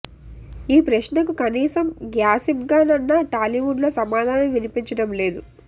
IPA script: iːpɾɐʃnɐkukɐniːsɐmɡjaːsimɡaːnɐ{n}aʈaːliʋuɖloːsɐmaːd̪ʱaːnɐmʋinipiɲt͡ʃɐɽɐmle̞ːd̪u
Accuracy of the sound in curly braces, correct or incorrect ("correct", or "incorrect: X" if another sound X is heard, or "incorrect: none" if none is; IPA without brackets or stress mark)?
incorrect: nː